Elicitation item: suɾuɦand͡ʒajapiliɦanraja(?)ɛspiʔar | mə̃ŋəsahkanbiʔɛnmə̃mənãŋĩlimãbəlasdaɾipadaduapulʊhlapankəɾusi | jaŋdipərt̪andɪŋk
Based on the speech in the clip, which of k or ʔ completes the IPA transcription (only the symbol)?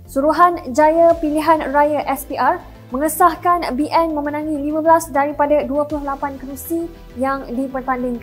ʔ